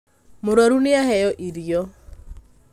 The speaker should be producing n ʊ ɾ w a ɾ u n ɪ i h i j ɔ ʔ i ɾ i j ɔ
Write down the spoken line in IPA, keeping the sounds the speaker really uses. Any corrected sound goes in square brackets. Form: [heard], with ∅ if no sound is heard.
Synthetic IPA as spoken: [m] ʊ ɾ w a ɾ u n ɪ [a] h [ɛ] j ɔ ʔ i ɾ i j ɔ